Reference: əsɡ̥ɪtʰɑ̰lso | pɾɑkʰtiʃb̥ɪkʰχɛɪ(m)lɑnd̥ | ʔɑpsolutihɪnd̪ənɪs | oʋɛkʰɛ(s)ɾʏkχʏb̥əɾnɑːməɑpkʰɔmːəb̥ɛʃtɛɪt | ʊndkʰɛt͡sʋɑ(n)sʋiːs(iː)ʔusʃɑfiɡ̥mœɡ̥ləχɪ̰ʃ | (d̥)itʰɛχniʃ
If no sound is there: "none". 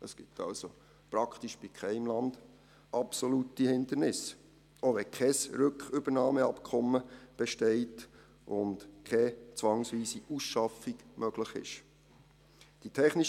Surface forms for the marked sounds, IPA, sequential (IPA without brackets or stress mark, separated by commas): m, s, ŋ, i, d̥